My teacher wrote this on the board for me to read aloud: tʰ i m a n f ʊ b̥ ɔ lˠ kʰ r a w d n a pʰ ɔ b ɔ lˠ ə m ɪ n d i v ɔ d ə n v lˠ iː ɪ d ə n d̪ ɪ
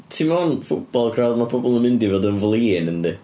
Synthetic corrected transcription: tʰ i m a n f ʊ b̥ ɔ lˠ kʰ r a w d m a pʰ ɔ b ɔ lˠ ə m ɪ n d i v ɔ d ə n v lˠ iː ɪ n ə n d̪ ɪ